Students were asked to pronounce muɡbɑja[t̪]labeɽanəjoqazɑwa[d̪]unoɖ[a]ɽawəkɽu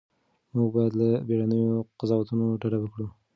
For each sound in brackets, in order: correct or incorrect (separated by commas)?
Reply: incorrect, incorrect, correct